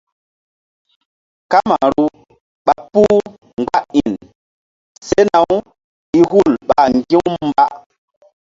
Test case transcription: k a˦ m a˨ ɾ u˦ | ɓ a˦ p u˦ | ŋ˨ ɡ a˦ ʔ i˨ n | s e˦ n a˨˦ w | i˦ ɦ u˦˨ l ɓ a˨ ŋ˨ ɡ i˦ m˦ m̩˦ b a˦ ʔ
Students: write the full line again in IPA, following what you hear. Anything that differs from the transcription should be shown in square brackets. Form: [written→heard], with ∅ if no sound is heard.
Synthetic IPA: k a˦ m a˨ ɾ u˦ | ɓ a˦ p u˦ | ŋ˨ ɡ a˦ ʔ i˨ n | s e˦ n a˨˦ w | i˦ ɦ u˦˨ l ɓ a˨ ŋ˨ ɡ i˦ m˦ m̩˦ b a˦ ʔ